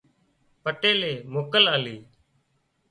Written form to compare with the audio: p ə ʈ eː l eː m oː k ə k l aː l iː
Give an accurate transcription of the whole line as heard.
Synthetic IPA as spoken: p ə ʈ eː l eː m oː k ə l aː l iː